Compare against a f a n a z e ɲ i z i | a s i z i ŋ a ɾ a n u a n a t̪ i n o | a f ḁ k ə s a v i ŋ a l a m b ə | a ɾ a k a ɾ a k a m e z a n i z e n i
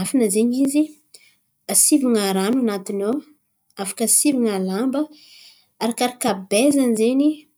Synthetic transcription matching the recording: a f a n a z e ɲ i z i | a s i v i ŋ a ɾ a n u a n a t̪ i n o | a f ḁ k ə s i v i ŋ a l a m b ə | a ɾ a k a ɾ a k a b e z a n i z e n i